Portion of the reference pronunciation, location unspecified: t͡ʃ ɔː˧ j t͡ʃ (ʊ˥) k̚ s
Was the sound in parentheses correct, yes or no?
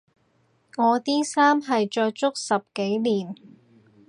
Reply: yes